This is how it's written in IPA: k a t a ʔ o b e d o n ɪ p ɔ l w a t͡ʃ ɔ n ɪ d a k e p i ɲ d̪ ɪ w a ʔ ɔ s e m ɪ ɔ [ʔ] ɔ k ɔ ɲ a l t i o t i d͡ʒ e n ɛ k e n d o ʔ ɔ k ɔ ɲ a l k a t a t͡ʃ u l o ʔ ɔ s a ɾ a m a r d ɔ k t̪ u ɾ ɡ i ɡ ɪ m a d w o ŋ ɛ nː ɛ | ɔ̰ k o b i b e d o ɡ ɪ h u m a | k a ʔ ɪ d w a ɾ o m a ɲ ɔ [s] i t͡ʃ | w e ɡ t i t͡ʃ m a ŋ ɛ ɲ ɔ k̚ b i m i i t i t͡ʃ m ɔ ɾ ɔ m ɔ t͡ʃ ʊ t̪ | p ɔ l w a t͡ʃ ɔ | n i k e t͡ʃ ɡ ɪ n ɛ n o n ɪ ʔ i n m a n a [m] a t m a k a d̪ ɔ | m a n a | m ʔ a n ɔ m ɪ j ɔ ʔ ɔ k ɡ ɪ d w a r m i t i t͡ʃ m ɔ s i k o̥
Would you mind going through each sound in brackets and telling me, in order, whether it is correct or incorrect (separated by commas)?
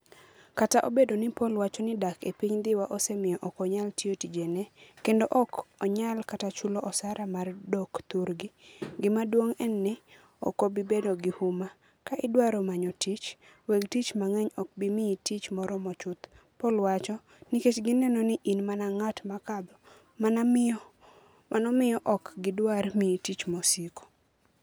correct, incorrect, incorrect